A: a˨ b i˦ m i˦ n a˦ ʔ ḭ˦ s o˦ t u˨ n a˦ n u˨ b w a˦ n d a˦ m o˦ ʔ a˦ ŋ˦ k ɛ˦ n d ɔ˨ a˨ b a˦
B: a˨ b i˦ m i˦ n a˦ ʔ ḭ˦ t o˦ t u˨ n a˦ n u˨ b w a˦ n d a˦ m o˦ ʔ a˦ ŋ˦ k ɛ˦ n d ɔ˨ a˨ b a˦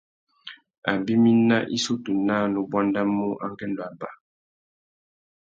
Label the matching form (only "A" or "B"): A